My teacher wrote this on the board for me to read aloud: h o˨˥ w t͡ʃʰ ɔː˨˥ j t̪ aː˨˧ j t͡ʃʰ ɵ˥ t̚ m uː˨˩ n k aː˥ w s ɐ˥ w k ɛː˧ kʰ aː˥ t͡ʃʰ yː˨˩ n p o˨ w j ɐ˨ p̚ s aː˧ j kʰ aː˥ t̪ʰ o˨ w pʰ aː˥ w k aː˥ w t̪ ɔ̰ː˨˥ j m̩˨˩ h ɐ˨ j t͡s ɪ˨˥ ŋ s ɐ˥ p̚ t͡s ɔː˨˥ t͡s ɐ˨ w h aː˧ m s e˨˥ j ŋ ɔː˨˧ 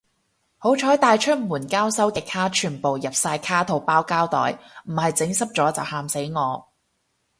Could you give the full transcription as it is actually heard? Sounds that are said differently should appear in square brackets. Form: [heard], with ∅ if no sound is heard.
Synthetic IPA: h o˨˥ w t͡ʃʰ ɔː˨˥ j t̪ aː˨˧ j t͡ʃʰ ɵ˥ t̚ m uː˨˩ n k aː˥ w s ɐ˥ w k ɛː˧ kʰ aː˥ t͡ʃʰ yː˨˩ n p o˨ w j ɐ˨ p̚ s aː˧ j kʰ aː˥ t̪ʰ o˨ w [p] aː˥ w k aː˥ w t̪ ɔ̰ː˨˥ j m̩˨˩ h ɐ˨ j t͡s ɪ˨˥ ŋ s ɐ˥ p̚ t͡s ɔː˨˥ t͡s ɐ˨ w h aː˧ m s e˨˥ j ŋ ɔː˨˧